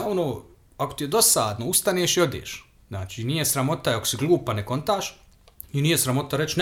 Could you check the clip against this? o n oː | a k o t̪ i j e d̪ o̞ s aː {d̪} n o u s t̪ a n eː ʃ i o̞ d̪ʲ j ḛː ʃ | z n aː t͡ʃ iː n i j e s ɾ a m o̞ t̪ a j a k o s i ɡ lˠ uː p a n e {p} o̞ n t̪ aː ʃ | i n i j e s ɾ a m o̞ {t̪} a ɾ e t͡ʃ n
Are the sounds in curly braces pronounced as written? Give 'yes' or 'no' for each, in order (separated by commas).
yes, no, yes